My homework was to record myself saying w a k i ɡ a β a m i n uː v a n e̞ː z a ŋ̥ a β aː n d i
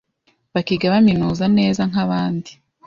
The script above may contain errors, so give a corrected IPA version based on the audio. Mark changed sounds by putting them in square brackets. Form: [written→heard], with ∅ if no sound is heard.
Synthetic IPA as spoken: [w→β] a k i ɡ a β a m i n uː [v→z] a n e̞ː z a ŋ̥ a β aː n d i